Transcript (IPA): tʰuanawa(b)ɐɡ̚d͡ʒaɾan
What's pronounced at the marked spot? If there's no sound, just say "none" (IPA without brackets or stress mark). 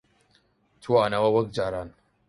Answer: w